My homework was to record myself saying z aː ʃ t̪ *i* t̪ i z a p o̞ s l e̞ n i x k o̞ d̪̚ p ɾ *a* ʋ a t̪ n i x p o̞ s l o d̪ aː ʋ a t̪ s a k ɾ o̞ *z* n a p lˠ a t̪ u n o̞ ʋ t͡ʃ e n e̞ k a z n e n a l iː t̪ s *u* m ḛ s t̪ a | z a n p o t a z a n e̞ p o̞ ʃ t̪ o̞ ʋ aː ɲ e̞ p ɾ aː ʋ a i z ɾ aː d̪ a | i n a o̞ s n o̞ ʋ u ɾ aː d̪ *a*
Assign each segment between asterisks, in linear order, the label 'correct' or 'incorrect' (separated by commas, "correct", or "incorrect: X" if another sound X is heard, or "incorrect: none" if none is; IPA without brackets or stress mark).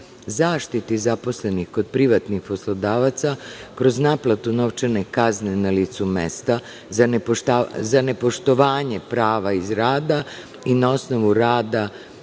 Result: correct, incorrect: i, correct, correct, correct